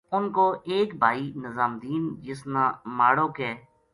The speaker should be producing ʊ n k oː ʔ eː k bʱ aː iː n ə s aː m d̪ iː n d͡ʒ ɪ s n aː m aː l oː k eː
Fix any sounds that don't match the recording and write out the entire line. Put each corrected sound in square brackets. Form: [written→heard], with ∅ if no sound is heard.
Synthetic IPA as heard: ʊ n k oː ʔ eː k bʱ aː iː n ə [s→z] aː m d̪ iː n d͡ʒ ɪ s n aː m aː [l→ɽ] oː k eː